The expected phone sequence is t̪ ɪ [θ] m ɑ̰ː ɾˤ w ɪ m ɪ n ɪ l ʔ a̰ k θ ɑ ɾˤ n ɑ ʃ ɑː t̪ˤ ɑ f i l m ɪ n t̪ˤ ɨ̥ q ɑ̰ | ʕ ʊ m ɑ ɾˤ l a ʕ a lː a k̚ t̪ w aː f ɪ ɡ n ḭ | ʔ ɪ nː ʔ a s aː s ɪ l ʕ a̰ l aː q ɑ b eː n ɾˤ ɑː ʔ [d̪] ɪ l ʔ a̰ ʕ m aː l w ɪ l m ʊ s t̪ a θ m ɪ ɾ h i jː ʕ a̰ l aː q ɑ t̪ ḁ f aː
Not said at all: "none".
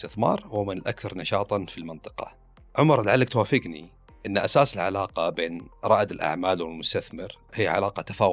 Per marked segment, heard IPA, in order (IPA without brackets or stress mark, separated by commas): θ, d̪